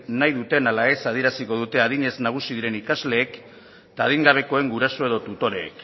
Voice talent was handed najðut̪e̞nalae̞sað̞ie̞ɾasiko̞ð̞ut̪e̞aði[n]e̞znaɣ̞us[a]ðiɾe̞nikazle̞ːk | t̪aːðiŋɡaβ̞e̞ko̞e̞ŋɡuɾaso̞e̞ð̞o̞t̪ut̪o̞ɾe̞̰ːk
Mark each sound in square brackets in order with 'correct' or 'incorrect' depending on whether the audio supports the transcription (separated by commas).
incorrect, incorrect